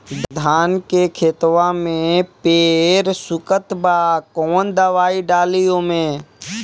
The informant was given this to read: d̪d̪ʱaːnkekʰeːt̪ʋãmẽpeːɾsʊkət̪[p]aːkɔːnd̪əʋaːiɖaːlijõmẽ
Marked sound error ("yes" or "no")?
yes